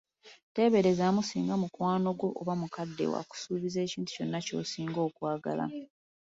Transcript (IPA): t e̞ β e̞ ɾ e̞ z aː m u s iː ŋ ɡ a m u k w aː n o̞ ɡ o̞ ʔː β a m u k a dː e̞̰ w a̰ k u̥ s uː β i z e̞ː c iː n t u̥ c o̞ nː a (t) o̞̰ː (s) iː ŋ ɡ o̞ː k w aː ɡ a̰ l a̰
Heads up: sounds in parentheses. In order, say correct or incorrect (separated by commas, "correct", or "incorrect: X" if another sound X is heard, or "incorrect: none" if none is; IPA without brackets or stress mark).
incorrect: c, correct